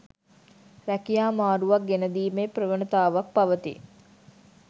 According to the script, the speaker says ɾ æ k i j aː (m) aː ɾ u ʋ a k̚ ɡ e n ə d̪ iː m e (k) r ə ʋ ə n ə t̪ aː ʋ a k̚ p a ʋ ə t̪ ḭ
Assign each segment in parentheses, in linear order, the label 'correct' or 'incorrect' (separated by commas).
correct, incorrect